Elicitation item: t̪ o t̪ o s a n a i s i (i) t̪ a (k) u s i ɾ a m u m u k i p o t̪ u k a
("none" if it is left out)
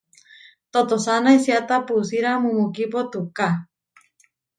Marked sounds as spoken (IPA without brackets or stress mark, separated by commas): a, p